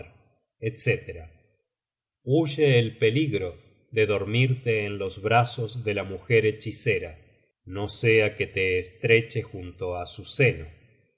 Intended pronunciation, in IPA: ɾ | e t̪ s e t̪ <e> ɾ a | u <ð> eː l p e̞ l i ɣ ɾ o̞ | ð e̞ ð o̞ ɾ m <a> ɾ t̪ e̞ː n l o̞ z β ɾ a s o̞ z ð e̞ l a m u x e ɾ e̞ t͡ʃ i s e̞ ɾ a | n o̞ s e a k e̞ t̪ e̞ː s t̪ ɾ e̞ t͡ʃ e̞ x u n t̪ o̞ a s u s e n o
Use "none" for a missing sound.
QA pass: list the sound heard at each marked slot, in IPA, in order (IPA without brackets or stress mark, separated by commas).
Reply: e, ʒ, i